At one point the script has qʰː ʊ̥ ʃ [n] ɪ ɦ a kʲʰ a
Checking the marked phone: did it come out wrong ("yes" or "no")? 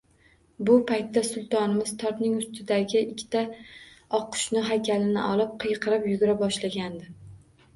no